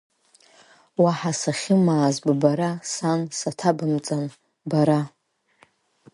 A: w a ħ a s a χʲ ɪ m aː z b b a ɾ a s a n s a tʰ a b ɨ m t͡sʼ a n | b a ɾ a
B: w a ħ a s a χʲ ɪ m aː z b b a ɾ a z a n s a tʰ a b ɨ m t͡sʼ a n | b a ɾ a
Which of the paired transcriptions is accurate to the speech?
A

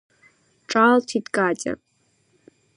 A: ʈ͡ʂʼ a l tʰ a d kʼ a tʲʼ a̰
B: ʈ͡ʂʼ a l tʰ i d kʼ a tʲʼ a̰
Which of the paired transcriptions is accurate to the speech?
B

